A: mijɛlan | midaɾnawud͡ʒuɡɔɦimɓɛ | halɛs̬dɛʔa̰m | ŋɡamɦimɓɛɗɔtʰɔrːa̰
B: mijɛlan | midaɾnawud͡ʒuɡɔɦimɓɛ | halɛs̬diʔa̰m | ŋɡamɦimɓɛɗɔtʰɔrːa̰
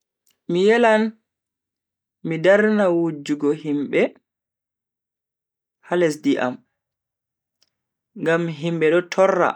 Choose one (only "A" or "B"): B